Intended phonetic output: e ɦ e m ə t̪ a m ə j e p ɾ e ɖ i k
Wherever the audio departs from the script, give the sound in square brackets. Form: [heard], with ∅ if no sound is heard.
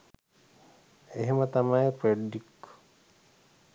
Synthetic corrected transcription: e ɦ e m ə t̪ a m [a] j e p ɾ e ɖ i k